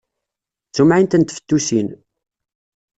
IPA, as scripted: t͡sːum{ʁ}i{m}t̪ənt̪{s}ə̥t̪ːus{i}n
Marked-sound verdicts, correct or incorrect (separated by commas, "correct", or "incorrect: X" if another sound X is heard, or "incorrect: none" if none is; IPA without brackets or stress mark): incorrect: ʕ, incorrect: n, incorrect: f, correct